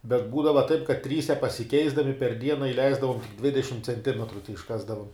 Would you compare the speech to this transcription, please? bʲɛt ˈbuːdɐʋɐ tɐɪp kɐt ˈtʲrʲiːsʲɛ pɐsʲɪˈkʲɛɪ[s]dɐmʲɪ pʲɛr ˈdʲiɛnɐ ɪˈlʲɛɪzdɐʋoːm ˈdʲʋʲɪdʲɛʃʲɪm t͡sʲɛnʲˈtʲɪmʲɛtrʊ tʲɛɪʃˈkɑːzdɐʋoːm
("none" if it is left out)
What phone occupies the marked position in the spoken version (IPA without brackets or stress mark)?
z